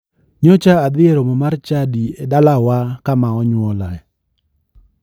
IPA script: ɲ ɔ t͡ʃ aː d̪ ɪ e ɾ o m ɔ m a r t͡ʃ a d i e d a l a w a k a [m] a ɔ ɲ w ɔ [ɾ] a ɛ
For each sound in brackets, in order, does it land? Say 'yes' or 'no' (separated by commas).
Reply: yes, no